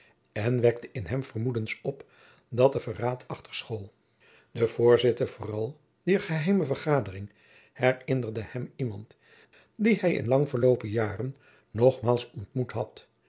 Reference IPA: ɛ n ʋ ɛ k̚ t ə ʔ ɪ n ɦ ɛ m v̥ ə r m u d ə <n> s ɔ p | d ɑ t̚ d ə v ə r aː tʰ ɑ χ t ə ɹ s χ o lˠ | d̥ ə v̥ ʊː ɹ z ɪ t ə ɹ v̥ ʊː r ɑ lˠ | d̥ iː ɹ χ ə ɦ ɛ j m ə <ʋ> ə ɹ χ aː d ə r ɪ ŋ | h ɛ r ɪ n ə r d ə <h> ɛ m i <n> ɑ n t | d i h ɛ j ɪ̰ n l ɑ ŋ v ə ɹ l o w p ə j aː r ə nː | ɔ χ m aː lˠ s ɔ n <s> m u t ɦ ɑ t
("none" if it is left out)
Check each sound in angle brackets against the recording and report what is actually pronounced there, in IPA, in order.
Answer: n, v, h, m, t

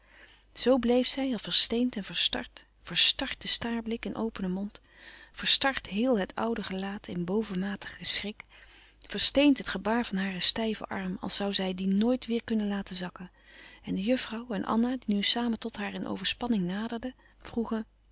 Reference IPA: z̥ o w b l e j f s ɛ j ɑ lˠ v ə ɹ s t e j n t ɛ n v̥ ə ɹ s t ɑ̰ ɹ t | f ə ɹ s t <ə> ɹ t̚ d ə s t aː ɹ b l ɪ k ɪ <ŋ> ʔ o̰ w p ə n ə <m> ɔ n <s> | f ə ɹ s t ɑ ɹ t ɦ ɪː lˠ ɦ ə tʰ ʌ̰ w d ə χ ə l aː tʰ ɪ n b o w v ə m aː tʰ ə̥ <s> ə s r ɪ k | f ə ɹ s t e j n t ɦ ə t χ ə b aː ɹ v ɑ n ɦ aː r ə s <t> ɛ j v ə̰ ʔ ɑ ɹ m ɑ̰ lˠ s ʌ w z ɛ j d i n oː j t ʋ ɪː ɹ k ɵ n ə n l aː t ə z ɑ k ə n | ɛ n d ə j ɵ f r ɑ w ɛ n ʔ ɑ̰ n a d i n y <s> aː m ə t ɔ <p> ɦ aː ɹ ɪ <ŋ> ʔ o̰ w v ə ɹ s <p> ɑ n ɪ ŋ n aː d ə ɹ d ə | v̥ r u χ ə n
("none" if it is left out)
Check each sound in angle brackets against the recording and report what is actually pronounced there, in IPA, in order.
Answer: ɑ, n, m, t, χ, t, s, t, n, p

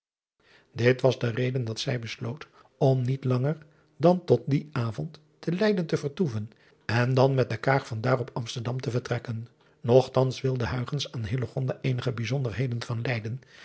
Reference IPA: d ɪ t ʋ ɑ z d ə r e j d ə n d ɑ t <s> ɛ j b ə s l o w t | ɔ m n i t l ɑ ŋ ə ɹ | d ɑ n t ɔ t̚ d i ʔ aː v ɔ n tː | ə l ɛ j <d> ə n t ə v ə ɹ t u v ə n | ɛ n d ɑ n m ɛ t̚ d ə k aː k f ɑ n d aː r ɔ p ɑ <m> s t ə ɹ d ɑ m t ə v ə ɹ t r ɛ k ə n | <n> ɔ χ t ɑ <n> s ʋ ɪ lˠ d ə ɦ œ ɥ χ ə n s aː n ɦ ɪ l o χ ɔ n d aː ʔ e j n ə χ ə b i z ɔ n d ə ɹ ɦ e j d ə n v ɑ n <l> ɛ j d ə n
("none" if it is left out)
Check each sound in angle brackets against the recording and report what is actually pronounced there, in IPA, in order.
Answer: s, d, m, n, n, l

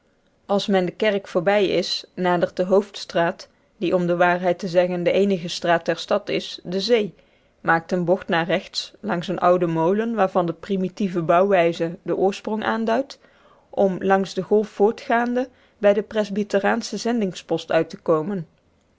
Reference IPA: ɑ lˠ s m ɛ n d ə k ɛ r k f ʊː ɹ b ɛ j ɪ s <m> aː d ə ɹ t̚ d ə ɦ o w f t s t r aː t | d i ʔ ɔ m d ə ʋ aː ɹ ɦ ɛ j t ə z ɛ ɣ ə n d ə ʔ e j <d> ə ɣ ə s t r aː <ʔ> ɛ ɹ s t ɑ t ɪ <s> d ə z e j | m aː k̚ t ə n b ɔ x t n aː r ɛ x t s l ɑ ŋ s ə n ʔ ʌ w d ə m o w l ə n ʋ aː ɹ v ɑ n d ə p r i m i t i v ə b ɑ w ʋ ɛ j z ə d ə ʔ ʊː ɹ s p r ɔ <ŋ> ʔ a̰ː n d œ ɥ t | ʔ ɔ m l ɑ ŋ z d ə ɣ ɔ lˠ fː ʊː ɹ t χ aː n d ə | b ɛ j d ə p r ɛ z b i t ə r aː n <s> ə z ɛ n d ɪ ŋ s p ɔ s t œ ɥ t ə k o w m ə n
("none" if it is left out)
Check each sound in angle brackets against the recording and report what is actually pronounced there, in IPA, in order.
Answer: n, n, t, s, ŋ, s

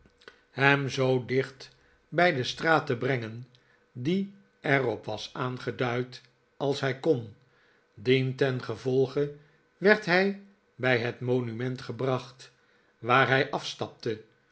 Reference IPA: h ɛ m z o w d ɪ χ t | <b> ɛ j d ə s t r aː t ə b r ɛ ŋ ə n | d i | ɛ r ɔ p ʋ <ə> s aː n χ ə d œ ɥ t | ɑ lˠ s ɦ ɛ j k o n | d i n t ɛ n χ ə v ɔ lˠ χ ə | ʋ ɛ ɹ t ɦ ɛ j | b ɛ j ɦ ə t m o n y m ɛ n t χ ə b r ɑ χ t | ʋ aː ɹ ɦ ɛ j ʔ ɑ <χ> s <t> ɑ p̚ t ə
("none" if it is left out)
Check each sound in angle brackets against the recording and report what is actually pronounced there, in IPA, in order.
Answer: b, ɑ, f, t

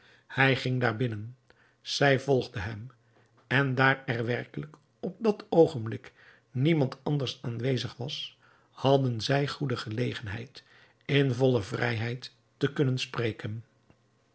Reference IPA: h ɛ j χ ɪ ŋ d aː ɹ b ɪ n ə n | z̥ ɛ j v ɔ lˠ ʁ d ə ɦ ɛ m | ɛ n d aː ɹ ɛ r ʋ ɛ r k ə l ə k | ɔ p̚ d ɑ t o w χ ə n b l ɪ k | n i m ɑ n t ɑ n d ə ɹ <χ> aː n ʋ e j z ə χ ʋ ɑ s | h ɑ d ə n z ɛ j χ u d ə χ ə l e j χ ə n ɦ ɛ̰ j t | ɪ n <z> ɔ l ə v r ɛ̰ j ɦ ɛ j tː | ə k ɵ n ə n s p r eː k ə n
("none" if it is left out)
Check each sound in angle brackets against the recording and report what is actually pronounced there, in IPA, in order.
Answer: s, v

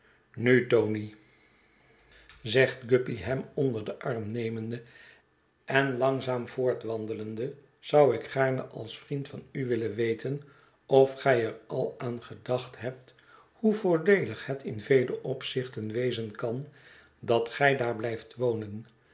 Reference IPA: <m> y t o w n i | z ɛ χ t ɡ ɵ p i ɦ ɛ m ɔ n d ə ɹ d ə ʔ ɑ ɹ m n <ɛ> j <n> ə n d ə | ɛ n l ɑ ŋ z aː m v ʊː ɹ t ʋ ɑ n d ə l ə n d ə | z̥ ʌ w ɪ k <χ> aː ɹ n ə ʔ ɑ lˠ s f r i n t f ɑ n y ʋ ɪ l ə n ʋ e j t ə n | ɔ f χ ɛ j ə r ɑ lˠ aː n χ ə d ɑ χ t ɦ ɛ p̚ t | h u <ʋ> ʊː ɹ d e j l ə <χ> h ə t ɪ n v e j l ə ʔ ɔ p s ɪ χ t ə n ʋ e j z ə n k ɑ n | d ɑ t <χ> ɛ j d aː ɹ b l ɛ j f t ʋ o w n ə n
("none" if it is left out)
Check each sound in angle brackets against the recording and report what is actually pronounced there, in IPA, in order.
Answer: n, e, m, χ, v, χ, χ

